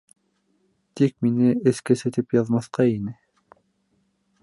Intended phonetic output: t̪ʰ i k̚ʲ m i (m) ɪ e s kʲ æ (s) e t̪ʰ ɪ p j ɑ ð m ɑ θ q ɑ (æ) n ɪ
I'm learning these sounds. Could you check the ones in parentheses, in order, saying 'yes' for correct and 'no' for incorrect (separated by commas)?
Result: no, yes, no